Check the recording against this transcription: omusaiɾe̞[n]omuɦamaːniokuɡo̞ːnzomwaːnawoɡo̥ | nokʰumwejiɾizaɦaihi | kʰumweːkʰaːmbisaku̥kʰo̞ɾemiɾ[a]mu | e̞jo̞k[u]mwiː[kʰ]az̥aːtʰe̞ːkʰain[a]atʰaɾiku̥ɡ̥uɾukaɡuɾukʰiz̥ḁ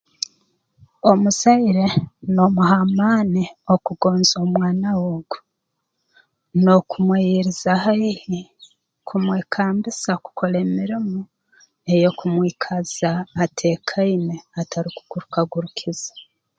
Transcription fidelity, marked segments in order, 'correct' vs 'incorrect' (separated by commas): correct, incorrect, correct, correct, incorrect